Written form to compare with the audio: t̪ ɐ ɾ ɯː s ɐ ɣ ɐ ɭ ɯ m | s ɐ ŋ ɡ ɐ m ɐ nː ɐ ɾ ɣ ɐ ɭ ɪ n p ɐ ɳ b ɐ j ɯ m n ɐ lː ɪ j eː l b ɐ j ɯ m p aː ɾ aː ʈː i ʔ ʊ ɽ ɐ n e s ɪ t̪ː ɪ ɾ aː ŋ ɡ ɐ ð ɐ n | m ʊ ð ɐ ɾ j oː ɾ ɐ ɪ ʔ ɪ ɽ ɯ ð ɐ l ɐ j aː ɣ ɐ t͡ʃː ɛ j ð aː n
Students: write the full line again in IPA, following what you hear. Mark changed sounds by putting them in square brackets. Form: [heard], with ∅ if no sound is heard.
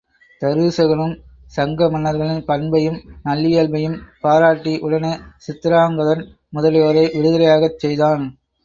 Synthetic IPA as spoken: t̪ ɐ ɾ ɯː s ɐ ɣ ɐ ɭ ɯ m | s ɐ ŋ ɡ ɐ m ɐ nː ɐ ɾ ɣ ɐ ɭ ɪ n p ɐ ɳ b ɐ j ɯ m n ɐ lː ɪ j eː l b ɐ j ɯ m p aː ɾ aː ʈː i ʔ ʊ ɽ ɐ n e s ɪ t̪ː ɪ ɾ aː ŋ ɡ ɐ ð ɐ n | m ʊ ð ɐ [l] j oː ɾ ɐ ɪ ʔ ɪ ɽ ɯ ð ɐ l ɐ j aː ɣ ɐ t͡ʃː ɛ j ð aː n